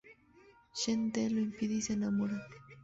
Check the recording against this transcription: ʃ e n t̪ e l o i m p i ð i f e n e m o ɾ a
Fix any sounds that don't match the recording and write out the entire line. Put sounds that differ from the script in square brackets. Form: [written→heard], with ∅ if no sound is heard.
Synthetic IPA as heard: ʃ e n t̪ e l o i m p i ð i [f→s] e n [e→a] m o ɾ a